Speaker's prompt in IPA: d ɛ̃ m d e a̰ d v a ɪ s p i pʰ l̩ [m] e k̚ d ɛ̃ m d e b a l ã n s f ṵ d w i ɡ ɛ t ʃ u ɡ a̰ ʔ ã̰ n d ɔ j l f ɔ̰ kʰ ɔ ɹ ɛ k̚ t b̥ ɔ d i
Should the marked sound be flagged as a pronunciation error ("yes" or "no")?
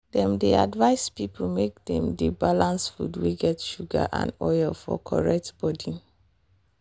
no